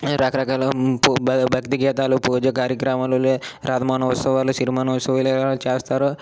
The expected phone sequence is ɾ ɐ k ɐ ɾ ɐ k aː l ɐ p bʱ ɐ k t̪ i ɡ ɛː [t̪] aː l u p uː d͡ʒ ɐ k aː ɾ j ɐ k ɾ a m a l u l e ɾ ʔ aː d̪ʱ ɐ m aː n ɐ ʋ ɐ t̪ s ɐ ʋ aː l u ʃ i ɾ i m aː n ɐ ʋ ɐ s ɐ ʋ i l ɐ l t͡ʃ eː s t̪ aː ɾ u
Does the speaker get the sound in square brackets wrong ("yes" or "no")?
no